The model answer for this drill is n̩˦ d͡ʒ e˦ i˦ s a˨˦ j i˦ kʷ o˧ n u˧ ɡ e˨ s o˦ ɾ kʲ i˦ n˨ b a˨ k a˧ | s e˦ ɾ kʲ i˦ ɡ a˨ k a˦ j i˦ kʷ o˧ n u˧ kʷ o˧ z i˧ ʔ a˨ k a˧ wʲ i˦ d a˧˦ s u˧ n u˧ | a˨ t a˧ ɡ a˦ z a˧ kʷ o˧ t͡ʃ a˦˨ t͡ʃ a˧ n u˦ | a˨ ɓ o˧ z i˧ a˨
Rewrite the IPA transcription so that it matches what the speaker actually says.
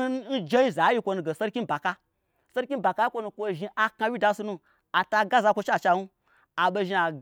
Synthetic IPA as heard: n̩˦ d͡ʒ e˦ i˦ z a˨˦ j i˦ kʷ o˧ n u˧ ɡ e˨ s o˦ ɾ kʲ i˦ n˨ b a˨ k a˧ | s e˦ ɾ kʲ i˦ b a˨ k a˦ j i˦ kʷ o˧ n u˧ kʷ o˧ ʒ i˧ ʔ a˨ k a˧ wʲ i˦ d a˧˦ s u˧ n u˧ | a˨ t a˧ ɡ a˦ z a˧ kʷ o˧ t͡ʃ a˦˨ t͡ʃ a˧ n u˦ | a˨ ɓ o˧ ʒ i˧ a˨

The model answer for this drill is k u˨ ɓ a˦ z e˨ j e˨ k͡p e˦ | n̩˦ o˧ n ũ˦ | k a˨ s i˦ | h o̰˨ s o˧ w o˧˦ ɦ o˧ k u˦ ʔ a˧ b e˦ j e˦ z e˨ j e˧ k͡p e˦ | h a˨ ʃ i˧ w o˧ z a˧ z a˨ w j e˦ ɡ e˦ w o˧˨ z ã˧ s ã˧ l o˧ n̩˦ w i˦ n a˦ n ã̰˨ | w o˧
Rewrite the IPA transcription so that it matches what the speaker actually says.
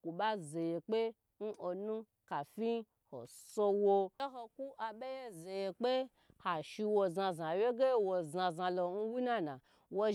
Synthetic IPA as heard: k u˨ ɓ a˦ z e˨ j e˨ k͡p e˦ | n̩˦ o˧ n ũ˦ | k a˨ f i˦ | h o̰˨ s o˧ w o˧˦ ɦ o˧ k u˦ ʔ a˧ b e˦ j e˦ z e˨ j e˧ k͡p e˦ | h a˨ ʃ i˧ w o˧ z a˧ z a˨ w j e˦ ɡ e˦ w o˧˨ z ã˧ z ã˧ l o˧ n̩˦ w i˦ n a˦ n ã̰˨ | w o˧

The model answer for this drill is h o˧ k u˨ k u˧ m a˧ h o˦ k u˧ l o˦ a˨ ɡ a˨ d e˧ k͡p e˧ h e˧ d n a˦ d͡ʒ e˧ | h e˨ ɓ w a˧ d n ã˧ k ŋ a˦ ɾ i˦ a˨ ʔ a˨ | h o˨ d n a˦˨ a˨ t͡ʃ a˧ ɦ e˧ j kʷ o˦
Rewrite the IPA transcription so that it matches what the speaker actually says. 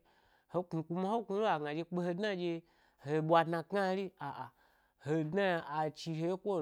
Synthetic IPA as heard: h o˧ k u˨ k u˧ m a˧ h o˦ k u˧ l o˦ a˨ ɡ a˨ d͡ʒ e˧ k͡p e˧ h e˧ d n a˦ d͡ʒ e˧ | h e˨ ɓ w a˧ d n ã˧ k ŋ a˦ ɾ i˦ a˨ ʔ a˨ | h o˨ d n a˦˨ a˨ t͡ʃ i˧ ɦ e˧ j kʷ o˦

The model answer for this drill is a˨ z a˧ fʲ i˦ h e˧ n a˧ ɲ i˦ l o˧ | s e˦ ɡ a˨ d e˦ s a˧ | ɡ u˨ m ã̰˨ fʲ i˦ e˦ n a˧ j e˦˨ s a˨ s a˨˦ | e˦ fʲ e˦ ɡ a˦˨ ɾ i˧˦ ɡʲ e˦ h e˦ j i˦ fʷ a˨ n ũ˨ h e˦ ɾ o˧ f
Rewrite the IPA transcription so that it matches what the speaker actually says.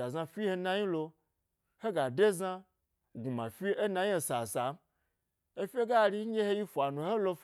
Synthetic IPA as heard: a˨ z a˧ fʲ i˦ h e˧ n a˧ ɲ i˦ l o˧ | h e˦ ɡ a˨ d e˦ z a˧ | ɡ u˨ m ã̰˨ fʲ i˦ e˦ n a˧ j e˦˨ s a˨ s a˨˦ | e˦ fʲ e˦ ɡ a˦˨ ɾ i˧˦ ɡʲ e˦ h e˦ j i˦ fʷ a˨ n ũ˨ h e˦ l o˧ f

